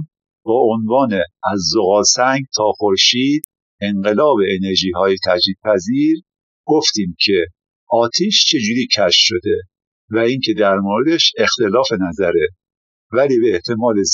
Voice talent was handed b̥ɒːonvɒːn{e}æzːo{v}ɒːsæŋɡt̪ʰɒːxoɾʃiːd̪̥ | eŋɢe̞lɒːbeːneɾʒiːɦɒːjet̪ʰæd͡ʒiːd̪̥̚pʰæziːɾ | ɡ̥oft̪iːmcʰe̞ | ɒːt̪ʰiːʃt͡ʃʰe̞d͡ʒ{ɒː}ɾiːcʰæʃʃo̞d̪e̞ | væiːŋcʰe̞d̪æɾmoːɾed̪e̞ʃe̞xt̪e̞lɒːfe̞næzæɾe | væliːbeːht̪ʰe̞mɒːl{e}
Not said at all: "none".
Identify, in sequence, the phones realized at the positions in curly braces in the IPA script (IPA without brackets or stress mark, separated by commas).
e, ɣ, uː, e